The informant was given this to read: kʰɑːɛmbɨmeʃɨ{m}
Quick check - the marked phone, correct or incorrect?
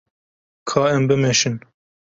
incorrect